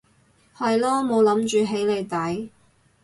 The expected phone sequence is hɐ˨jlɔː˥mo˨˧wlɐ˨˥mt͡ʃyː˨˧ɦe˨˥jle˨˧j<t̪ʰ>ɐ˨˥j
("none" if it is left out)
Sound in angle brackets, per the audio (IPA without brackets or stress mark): t̪